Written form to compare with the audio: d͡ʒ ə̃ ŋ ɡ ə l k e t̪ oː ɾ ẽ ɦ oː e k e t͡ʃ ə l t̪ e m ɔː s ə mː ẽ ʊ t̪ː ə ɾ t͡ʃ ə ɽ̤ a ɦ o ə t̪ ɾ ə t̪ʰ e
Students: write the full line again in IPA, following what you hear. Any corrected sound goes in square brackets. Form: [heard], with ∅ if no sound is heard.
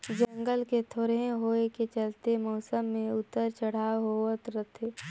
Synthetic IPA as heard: d͡ʒ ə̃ ŋ ɡ ə l k e [t̪ʰ] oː ɾ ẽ ɦ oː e k e t͡ʃ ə l t̪ e m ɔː s ə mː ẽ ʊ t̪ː ə ɾ t͡ʃ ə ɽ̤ a ɦ o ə t̪ ɾ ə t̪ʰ e